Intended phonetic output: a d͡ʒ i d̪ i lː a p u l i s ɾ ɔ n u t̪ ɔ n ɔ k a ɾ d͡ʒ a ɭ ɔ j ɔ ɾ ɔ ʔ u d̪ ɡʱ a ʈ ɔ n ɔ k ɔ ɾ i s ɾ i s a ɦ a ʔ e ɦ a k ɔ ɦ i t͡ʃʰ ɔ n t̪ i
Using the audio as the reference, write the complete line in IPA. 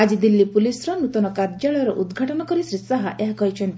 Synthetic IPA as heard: a d͡ʒ i d̪ i lː i p u l i s ɾ ɔ n u t̪ ɔ n ɔ k a ɾ d͡ʒ a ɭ ɔ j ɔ ɾ ɔ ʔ u d̪ ɡʱ a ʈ ɔ n ɔ k ɔ ɾ i s ɾ i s a ɦ a ʔ e ɦ a k ɔ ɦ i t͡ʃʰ ɔ n t̪ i